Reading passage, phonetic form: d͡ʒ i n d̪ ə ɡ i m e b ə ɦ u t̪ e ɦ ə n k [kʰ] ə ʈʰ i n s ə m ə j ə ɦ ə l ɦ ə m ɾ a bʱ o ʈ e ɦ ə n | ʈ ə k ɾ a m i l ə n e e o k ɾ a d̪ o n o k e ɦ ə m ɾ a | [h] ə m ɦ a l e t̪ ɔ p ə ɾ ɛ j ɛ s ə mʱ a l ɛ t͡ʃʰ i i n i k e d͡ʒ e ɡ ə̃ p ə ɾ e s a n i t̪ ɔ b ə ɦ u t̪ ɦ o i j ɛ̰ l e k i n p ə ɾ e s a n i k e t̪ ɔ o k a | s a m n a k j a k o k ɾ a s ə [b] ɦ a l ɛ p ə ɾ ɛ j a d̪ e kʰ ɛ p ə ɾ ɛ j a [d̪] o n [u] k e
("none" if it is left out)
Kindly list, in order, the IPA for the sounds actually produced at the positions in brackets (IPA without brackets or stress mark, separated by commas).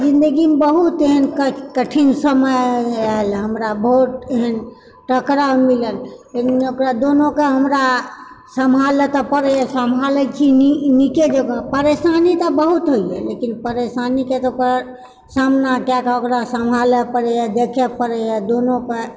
k, s, m, d̪, o